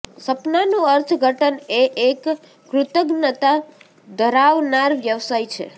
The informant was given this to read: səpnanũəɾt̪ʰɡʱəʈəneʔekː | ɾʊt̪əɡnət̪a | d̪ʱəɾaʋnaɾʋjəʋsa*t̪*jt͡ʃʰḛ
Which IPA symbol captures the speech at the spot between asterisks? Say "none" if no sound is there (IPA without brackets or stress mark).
none